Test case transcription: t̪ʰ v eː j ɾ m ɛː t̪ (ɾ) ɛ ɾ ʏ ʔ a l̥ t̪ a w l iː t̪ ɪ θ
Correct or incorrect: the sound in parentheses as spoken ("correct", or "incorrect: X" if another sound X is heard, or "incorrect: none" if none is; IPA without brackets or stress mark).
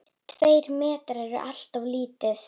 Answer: correct